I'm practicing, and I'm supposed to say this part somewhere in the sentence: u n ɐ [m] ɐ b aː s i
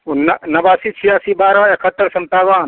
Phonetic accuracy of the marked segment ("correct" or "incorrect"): incorrect